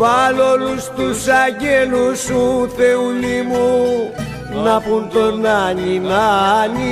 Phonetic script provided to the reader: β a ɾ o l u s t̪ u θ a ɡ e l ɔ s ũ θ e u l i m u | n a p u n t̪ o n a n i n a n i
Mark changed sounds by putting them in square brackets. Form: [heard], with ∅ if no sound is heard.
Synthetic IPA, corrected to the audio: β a [l] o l u s t̪ u [s] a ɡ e l [u] s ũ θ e u l i m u | n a p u n t̪ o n a n i n a n i